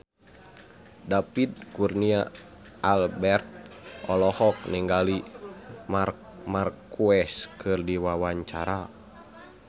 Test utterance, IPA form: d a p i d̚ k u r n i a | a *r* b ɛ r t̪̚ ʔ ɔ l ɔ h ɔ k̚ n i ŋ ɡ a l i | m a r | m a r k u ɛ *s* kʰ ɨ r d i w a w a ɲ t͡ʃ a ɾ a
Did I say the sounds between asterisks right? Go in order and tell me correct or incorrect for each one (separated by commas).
incorrect, correct